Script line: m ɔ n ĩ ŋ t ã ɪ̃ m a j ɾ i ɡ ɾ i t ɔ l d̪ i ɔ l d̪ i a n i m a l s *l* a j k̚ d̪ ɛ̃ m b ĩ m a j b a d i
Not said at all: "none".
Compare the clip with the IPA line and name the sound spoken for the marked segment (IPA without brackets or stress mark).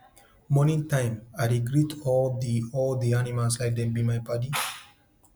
l